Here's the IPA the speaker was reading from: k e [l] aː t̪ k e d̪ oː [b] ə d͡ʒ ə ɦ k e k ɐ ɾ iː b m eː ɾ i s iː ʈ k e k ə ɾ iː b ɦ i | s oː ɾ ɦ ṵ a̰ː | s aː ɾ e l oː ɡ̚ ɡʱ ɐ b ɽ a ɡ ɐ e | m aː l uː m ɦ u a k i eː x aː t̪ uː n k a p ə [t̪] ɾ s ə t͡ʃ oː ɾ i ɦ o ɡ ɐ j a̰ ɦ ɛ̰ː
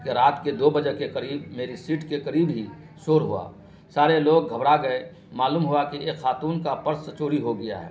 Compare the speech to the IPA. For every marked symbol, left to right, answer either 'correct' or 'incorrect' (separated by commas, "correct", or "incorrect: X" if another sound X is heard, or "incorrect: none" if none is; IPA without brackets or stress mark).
incorrect: ɾ, correct, incorrect: none